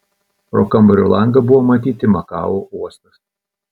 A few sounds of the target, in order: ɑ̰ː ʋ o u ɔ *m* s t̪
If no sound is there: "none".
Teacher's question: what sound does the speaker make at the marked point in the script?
none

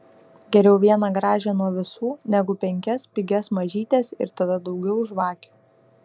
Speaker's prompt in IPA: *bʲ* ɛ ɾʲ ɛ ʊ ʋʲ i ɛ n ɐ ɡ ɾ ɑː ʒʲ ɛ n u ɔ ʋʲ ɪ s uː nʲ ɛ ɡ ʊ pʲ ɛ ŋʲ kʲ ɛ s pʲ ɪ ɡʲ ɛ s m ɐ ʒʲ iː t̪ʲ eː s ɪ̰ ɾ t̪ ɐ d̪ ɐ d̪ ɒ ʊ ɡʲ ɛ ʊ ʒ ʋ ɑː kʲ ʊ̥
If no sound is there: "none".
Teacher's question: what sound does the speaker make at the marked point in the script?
ɡʲ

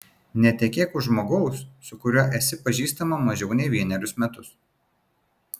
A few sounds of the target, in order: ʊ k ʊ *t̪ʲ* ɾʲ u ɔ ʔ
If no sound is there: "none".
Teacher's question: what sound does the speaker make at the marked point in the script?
none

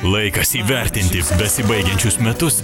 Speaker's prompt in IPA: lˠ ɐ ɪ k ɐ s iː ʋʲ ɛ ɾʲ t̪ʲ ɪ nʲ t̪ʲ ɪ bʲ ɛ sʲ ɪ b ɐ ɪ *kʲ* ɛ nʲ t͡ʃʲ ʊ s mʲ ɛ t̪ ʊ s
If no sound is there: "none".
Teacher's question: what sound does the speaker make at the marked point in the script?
ɡʲ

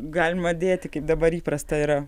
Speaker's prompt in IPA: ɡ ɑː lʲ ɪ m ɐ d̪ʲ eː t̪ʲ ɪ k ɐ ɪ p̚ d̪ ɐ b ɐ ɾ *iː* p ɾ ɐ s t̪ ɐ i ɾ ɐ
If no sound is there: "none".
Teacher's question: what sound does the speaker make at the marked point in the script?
iː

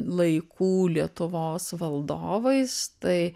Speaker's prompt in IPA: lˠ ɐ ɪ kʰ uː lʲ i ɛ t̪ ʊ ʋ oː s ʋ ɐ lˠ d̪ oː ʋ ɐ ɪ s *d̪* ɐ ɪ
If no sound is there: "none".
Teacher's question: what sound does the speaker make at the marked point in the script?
t̪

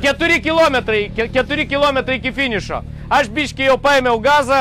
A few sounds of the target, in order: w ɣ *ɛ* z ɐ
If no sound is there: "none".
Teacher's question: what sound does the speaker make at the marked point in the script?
a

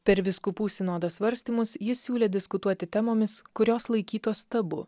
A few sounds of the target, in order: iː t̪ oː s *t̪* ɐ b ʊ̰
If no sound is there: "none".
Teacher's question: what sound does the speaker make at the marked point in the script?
t̪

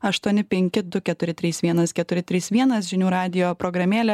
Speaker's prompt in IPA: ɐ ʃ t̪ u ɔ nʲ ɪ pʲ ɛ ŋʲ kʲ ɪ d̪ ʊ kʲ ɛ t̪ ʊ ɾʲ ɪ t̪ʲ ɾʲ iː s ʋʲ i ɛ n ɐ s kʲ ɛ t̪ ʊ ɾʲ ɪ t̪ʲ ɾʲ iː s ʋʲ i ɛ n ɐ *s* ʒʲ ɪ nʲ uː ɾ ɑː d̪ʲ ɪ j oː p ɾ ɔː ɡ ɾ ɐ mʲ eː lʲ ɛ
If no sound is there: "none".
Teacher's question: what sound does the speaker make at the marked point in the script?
s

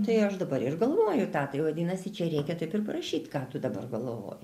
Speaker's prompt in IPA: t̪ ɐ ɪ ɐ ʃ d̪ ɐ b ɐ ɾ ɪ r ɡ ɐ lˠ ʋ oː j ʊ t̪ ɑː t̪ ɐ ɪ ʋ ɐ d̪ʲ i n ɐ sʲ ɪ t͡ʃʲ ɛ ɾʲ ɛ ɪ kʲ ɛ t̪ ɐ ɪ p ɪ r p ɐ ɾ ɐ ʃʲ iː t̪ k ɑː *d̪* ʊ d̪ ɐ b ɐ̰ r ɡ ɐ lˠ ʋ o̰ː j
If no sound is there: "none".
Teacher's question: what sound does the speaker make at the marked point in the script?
t̪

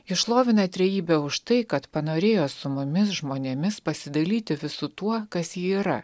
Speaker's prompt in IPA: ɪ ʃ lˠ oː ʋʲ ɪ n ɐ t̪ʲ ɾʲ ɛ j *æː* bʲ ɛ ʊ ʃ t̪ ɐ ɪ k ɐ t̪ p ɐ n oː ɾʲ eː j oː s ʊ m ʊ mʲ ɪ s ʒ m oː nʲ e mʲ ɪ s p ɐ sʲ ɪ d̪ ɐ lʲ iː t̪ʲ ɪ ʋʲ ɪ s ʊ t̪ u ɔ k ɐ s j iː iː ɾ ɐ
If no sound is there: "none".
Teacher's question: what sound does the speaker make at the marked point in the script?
iː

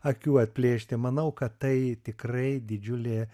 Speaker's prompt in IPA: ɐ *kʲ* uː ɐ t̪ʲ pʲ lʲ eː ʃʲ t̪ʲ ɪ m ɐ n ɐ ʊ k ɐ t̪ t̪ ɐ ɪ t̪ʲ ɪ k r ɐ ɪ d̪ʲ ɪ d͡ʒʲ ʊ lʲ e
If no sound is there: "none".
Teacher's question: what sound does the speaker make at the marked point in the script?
kʲ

